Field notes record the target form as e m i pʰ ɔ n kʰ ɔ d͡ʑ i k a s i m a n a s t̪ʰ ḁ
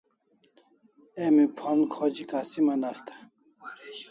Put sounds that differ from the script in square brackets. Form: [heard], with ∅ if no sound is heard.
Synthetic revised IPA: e m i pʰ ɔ n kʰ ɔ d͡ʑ i k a s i m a n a s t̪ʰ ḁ